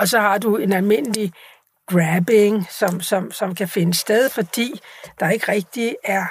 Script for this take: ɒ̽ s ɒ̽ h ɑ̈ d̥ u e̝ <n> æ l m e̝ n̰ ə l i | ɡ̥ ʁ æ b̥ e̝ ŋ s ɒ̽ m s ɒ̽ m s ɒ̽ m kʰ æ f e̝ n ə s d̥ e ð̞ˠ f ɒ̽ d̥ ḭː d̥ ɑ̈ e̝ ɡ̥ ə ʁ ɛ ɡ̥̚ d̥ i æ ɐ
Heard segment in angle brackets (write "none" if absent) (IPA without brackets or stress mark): n